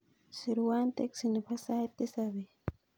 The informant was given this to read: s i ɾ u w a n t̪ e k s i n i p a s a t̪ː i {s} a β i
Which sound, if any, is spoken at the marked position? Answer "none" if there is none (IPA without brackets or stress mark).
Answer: s